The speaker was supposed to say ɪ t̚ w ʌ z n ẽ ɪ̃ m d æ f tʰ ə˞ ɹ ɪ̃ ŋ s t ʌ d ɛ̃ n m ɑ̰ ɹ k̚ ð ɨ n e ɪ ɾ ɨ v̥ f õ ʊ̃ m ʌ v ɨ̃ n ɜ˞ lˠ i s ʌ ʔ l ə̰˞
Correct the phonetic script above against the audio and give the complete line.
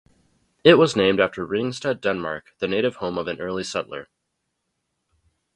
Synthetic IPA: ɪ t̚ w ʌ z n ẽ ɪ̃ m d æ f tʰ ə˞ ɹ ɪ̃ ŋ s t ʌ d ɛ̃ n m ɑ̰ ɹ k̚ ð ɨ n e ɪ ɾ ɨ v̥ h õ ʊ̃ m ʌ v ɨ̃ n ɜ˞ lˠ i s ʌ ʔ l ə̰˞